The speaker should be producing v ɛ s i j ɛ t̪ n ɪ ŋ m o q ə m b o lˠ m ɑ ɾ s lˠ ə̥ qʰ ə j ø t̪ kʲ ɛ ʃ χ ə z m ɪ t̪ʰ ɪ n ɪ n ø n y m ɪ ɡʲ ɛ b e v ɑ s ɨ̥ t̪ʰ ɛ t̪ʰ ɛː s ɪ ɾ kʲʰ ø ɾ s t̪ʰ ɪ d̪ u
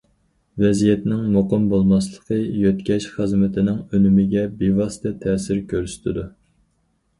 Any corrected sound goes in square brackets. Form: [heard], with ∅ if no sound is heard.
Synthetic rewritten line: v ɛ [z] i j ɛ t̪ n ɪ ŋ m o q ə m b o lˠ m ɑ [∅] s lˠ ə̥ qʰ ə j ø t̪ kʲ ɛ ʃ χ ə z m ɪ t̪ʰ ɪ n ɪ [ŋ] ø n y m ɪ ɡʲ ɛ b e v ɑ s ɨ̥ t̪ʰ ɛ t̪ʰ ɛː s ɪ ɾ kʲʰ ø ɾ s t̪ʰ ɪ d̪ u